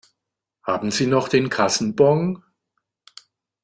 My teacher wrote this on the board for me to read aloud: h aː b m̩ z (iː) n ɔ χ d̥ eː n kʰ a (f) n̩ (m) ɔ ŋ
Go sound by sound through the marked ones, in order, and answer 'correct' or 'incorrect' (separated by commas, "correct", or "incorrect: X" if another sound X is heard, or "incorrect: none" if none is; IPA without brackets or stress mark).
correct, incorrect: s, incorrect: b